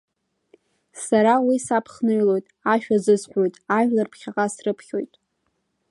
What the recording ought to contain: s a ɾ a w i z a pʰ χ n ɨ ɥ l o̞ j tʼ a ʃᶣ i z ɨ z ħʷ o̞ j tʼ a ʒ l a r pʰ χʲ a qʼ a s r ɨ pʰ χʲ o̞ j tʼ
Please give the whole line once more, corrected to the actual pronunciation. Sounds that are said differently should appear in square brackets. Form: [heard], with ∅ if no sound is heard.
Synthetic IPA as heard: s a ɾ a w i [s] a pʰ χ n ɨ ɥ l o̞ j tʼ a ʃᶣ [a] z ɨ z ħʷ o̞ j tʼ a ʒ l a r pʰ χʲ a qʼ a s r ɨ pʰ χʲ o̞ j tʼ